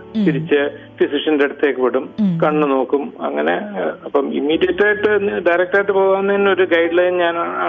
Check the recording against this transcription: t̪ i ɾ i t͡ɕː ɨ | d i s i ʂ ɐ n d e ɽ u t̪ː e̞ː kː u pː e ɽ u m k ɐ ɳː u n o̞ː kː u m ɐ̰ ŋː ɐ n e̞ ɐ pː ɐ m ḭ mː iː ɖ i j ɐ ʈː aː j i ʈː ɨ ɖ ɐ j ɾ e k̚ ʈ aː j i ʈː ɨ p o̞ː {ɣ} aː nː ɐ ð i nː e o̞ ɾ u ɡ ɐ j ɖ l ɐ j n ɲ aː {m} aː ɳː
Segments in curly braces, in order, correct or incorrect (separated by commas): correct, incorrect